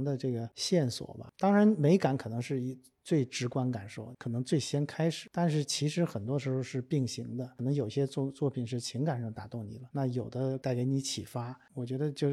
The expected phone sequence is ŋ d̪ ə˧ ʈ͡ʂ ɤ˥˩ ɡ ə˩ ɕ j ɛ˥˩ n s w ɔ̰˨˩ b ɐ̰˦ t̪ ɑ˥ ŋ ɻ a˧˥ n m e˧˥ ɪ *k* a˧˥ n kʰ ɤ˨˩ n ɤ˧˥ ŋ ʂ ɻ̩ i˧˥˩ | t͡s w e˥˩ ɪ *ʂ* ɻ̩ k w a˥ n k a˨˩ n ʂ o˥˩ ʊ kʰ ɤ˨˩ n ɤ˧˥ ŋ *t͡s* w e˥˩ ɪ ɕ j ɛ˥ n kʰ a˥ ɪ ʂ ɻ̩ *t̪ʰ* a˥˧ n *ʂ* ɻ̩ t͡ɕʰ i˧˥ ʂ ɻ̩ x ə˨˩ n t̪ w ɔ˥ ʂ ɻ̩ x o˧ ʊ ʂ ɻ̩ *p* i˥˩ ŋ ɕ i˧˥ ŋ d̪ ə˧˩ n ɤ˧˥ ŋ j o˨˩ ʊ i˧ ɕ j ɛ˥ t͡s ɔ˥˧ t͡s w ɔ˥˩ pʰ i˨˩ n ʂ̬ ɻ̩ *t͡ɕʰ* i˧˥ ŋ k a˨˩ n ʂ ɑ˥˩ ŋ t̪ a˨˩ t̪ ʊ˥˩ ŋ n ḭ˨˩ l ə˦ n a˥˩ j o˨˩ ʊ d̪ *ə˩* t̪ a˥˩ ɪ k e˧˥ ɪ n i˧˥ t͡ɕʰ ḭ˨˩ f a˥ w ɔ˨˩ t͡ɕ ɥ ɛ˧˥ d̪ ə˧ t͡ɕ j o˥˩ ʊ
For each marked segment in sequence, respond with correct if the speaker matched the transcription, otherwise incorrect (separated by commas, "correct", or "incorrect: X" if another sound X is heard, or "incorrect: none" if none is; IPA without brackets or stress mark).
correct, incorrect: ʈ͡ʂ, correct, incorrect: t̪, correct, correct, correct, incorrect: ə˦